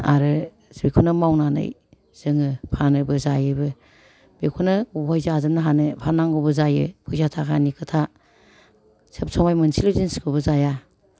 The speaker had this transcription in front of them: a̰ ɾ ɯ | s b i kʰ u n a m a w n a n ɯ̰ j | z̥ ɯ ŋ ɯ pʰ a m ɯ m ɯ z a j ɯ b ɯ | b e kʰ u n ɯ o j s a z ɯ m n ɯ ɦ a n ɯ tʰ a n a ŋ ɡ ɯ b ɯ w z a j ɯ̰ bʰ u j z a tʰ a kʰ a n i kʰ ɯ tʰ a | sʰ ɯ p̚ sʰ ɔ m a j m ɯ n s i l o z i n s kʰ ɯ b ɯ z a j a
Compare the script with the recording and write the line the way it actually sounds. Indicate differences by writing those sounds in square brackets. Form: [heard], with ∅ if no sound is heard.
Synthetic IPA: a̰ ɾ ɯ | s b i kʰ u n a m a w n a n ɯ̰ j | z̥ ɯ ŋ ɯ pʰ a [n] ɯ [b] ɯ z a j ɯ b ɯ | b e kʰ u n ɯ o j [z] a z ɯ m n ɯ ɦ a n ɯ [pʰ] a n a ŋ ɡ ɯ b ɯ [∅] z a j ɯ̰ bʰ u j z a tʰ a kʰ a n i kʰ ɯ tʰ a | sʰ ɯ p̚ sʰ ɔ m a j m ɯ n s i l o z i n s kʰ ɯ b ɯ z a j a